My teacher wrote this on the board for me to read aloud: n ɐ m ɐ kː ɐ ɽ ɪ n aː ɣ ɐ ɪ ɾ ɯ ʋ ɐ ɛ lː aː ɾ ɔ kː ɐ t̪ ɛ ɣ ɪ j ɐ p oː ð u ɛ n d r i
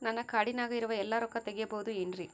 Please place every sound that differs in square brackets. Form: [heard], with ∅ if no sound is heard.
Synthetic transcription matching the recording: n ɐ [n] ɐ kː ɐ ɽ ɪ n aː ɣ ɐ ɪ ɾ ɯ ʋ ɐ ɛ lː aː ɾ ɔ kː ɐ t̪ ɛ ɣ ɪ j ɐ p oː ð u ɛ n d r i